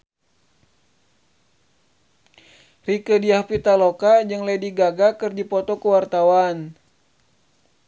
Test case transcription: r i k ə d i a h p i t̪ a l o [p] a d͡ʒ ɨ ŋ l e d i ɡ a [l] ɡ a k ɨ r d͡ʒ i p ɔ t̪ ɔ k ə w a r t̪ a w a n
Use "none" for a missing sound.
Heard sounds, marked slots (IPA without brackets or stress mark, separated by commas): k, none